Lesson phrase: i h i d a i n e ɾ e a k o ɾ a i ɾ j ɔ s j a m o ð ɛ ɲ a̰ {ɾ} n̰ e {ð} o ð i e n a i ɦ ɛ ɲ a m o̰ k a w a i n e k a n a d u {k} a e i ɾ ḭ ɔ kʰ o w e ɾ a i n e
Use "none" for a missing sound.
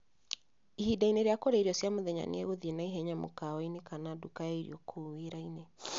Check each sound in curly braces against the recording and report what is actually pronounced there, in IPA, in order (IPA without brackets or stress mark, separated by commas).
none, ɣ, k